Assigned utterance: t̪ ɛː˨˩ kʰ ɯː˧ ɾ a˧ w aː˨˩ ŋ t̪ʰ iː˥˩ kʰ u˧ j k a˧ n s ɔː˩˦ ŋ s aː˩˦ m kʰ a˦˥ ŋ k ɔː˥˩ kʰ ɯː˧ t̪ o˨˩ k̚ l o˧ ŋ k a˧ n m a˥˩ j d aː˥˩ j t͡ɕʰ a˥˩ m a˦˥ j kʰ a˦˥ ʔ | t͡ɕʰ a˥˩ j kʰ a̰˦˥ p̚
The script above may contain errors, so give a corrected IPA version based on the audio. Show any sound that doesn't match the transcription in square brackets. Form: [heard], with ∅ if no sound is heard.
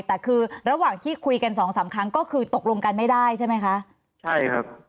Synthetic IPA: t̪ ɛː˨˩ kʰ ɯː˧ ɾ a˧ w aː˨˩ ŋ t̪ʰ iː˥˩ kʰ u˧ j k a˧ n s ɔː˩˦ ŋ s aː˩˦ m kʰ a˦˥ ŋ k ɔː˥˩ kʰ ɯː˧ t̪ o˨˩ k̚ l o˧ ŋ k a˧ n m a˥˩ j d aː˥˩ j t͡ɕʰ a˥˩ m a˦˥ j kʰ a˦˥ ʔ | t͡ɕʰ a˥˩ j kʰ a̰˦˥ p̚